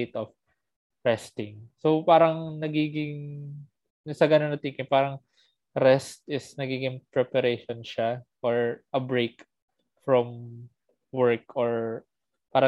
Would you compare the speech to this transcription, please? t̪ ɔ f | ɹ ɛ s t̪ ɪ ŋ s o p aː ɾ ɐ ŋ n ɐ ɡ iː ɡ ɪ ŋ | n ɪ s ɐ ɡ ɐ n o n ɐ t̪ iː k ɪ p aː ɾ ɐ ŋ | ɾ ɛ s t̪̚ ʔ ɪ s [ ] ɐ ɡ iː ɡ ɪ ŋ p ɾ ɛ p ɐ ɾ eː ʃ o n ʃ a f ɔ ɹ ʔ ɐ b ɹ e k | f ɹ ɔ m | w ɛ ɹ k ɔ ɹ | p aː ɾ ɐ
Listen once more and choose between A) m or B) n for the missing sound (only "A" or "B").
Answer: B